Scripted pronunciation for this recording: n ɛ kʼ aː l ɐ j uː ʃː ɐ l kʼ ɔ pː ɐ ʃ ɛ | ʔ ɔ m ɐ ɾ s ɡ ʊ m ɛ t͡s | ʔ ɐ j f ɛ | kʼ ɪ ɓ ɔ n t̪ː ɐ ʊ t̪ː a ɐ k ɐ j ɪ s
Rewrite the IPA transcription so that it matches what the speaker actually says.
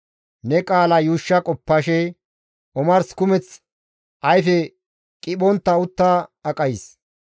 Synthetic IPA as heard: n ɛ kʼ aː l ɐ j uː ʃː ɐ kʼ ɔ pː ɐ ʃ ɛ | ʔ ɔ m ɐ ɾ s k ʊ m ɛ t͡s | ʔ ɐ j f ɛ | kʼ ɪ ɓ ɔ n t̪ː ɐ ʊ t̪ː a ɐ kʼ ɐ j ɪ s